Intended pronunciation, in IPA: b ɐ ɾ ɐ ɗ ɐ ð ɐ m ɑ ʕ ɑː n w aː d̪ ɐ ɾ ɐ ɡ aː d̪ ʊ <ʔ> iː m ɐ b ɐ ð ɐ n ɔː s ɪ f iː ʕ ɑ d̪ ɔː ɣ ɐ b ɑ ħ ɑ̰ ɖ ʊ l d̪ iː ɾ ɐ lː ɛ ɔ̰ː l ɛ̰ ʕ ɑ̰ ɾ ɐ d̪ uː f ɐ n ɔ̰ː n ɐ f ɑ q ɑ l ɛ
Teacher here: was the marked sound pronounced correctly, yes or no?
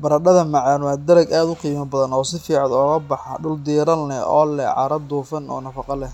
no